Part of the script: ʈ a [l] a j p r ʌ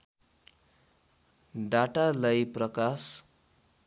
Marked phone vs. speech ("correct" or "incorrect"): correct